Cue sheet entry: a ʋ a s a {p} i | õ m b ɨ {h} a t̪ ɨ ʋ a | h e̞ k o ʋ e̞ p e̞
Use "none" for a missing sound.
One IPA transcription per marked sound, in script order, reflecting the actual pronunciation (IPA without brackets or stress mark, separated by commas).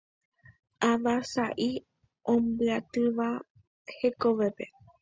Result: ʔ, none